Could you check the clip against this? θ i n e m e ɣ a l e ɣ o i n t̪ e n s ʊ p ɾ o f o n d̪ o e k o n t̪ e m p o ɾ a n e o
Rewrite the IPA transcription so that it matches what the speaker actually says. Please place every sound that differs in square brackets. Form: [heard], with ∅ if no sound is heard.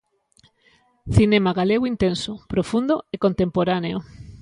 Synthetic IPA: θ i n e m [a] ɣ a l e ɣ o i n t̪ e n s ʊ p ɾ o f [u] n d̪ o e k o n t̪ e m p o ɾ a n e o